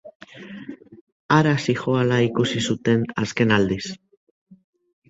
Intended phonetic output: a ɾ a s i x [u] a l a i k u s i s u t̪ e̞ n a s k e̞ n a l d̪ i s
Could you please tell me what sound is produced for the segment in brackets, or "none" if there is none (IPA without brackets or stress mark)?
o